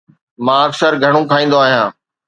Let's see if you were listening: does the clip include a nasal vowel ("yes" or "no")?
yes